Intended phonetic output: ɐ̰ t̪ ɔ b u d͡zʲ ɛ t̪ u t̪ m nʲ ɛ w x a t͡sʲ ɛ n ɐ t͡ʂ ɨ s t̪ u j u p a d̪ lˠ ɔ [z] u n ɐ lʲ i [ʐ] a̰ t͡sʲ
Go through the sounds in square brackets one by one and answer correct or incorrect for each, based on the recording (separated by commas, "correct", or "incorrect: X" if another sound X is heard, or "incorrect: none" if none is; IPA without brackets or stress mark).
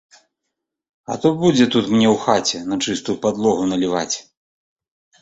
incorrect: ɣ, incorrect: v